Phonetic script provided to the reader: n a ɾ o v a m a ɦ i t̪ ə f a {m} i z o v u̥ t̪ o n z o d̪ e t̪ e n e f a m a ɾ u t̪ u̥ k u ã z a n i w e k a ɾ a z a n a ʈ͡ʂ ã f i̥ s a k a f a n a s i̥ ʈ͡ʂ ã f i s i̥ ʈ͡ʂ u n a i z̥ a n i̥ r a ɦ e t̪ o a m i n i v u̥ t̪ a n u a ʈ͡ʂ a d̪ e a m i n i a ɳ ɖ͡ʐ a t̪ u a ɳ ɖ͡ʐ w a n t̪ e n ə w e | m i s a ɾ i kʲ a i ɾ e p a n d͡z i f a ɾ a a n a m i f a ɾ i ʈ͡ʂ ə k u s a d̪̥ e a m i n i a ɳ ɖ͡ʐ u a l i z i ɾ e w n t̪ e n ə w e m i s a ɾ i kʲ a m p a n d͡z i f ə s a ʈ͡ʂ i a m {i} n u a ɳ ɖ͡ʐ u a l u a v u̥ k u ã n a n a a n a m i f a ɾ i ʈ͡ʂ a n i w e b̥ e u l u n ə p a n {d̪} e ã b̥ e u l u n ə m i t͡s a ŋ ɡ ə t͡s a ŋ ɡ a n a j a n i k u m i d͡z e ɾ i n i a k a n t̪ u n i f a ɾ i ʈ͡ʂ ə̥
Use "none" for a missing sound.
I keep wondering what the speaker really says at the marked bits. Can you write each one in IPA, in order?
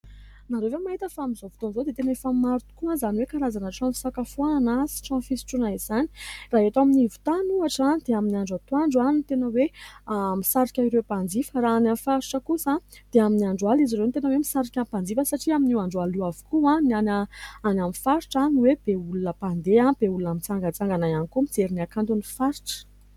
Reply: m, i, d̪

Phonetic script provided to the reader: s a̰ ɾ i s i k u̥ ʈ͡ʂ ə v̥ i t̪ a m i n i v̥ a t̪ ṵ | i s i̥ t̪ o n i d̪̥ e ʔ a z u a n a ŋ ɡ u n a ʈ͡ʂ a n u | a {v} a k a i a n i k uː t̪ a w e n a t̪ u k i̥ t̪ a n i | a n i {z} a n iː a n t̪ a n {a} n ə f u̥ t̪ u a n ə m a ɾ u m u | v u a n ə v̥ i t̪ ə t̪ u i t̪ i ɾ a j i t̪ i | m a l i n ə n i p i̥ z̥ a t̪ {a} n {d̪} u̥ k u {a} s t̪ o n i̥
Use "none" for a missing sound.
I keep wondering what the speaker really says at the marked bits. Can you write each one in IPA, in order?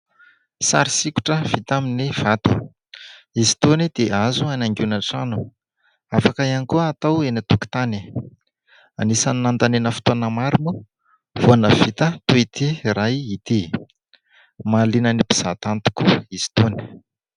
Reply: f, s, e, a, t̪, i

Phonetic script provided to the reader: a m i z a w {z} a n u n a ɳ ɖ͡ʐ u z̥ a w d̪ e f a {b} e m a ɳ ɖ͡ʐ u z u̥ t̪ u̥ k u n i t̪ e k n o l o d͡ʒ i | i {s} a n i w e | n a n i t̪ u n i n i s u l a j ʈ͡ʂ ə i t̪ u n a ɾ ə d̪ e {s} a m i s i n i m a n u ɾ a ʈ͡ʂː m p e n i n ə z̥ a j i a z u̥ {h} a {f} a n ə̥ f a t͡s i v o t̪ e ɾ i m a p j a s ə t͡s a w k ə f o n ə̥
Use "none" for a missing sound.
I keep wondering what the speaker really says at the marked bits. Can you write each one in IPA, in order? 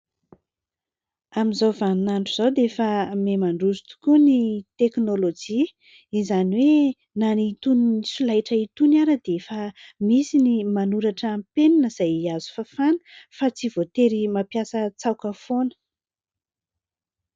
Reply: v, m, z, f, f, f

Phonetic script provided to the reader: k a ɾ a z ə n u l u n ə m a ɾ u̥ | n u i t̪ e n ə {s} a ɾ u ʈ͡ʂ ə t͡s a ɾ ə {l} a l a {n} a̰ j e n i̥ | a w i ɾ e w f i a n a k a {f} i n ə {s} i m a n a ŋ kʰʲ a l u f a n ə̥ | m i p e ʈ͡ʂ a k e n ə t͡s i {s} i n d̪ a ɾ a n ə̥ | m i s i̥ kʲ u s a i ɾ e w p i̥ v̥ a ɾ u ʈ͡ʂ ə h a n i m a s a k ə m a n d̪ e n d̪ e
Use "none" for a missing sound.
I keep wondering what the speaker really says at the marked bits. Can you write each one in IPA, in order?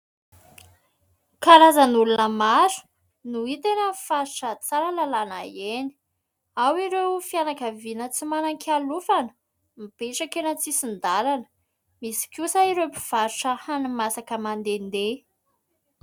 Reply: f, l, n, v, t͡s, s

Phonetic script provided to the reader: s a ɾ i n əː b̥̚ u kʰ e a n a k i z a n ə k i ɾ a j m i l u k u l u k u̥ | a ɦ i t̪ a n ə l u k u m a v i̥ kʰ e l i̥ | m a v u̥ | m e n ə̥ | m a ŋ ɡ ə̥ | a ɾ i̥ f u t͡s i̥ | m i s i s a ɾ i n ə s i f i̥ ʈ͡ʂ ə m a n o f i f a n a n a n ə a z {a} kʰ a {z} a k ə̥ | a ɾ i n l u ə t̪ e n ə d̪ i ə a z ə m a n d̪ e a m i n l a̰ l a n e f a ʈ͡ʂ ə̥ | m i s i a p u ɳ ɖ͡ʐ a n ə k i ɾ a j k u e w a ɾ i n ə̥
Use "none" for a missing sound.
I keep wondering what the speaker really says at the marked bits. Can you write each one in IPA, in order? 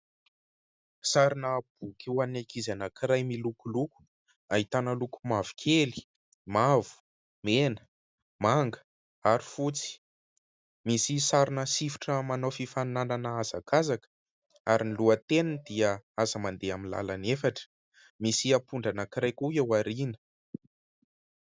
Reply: a, z

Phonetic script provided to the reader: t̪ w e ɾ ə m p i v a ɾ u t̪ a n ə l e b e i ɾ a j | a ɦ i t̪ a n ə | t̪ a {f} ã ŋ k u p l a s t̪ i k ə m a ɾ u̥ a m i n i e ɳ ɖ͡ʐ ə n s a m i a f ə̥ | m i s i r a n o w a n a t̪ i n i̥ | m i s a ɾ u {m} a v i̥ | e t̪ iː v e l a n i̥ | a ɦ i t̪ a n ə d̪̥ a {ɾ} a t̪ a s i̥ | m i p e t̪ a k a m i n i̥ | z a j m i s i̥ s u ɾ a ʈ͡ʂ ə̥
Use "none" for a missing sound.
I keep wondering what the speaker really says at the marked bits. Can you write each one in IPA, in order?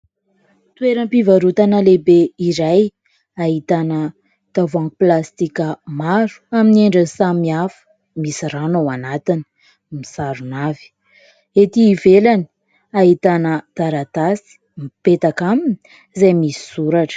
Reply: v, n, ɾ

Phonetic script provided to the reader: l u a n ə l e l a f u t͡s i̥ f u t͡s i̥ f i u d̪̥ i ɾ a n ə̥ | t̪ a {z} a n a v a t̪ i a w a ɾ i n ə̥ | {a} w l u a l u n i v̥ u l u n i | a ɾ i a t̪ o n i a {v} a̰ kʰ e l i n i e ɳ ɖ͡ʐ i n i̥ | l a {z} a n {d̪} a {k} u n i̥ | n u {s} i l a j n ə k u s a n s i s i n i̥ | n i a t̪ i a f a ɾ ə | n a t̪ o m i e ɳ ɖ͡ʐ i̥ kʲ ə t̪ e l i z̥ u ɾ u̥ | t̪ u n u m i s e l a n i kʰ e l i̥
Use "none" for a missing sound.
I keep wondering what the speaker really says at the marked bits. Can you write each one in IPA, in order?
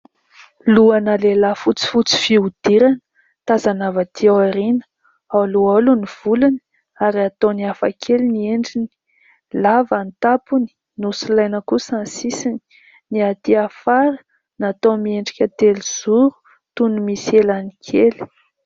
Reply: z, a, f, v, t̪, p, s

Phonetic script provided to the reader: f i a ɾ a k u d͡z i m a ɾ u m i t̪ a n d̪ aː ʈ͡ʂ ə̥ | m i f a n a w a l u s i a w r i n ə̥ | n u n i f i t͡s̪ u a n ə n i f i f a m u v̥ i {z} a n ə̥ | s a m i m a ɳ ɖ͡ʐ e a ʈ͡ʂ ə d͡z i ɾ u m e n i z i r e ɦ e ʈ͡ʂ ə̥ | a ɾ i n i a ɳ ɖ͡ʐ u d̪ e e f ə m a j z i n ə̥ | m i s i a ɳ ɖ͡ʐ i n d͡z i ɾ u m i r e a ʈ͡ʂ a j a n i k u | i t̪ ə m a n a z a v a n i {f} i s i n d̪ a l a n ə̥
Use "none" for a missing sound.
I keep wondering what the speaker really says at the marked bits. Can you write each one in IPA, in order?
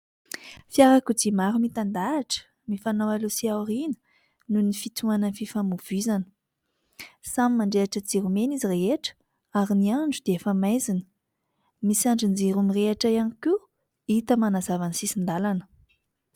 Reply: z, s

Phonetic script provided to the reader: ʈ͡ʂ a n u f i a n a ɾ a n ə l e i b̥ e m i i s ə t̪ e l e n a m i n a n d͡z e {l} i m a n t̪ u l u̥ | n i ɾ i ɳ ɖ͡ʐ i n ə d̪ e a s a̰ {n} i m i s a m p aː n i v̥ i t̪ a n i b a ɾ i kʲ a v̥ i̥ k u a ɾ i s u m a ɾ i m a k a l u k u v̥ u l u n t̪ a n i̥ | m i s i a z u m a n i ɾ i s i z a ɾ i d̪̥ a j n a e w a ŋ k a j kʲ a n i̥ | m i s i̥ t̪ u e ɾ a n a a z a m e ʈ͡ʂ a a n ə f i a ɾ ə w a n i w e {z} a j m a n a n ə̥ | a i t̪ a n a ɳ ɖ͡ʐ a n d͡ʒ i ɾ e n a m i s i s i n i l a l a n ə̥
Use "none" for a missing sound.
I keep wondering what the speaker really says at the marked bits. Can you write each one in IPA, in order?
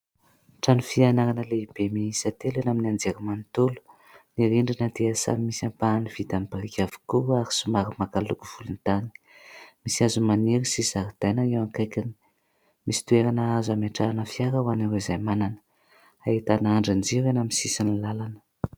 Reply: ɾ, m, z

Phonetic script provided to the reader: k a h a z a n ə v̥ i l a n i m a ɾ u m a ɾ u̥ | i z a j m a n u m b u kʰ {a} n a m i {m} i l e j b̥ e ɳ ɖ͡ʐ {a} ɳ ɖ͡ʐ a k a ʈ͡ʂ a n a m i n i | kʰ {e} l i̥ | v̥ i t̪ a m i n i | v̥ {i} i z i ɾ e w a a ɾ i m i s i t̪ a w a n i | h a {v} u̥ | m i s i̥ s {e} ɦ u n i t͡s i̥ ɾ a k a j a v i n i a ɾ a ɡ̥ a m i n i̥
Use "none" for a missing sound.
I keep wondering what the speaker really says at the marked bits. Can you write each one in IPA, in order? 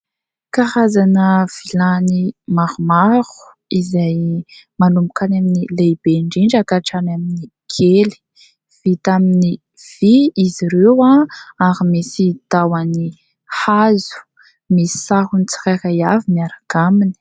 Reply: a, n, i, e, i, z, a

